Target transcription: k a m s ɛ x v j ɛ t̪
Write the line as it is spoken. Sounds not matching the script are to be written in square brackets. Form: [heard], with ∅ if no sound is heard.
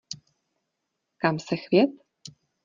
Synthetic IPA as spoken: k a m s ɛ x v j ɛ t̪